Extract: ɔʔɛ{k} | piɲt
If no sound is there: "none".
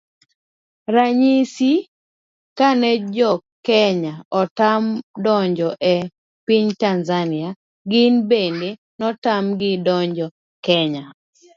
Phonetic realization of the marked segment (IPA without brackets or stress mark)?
none